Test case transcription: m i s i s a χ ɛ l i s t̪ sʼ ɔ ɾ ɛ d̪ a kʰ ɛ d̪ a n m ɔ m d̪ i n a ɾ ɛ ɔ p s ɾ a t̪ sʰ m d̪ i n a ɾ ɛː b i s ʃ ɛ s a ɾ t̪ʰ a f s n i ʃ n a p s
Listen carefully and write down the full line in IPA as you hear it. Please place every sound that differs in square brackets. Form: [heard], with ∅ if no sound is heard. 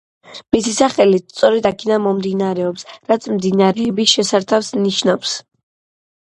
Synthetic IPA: m i s i s a χ ɛ l i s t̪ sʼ ɔ ɾ ɛ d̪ a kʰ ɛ d̪ a n m ɔ m d̪ i n a ɾ ɛ ɔ p s ɾ a t̪ sʰ m d̪ i n a ɾ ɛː b i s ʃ ɛ s a ɾ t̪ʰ a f s n i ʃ n a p s